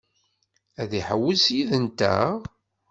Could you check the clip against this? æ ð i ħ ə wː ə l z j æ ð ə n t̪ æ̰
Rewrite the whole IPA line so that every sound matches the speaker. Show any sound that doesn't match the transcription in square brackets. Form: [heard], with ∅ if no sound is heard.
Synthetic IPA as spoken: æ ð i ħ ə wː ə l [s] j [i] ð ə n t̪ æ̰